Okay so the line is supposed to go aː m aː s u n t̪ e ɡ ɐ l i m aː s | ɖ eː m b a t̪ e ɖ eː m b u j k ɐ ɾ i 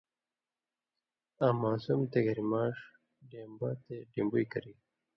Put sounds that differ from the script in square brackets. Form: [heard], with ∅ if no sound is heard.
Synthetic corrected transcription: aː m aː s u [m] t̪ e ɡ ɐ [ɾ] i m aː [ʂ] | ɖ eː m b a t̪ e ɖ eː m b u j k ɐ ɾ i